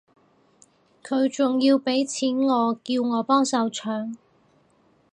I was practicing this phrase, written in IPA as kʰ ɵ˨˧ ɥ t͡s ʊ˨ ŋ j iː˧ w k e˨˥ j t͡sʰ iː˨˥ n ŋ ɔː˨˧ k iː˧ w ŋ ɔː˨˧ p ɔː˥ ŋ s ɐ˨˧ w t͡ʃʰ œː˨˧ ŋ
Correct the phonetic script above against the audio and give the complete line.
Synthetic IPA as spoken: kʰ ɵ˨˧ ɥ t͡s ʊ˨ ŋ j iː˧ w p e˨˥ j t͡sʰ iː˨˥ n ŋ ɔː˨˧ k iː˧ w ŋ ɔː˨˧ p ɔː˥ ŋ s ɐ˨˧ w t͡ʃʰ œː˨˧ ŋ